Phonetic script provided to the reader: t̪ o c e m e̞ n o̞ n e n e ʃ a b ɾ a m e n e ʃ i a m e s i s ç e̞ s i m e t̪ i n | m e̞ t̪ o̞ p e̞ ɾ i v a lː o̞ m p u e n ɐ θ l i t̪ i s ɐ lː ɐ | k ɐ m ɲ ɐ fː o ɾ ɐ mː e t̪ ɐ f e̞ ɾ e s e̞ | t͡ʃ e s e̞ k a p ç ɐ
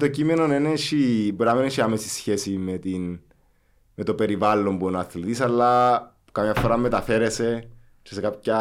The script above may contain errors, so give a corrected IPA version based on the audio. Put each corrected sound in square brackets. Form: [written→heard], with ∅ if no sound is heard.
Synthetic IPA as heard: t̪ o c [e→i] m e̞ n o̞ n e n e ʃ [a→i] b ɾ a m e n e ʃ i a m e s i s ç e̞ s i m e t̪ i n | m e̞ t̪ o̞ p e̞ ɾ i v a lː o̞ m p u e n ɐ θ l i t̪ i s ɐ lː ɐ | k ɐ m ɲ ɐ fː o ɾ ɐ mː e t̪ ɐ f e̞ ɾ e s e̞ | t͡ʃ e s e̞ k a p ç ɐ